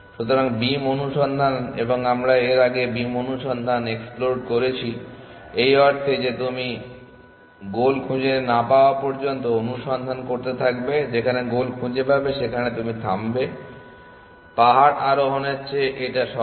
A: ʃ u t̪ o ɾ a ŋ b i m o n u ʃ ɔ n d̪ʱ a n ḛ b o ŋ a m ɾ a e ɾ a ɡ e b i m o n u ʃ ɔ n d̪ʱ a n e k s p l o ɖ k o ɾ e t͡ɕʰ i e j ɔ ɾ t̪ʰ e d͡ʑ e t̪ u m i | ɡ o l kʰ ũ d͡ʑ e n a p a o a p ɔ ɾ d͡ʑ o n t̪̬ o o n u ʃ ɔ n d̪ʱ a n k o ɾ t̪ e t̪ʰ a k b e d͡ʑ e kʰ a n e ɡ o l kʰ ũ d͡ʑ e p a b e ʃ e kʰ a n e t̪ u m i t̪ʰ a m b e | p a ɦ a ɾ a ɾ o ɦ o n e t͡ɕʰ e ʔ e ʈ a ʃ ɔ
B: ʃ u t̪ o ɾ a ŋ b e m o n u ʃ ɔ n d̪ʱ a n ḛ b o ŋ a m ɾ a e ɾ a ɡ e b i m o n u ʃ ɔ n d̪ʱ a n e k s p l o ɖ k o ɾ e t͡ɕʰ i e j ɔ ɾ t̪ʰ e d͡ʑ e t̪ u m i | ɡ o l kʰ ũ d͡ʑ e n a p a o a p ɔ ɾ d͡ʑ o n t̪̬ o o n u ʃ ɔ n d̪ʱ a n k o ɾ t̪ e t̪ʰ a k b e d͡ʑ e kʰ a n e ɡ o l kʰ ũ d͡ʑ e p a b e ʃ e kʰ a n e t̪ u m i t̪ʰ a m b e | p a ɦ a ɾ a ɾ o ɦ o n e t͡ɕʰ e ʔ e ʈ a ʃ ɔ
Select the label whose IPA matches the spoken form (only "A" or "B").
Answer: A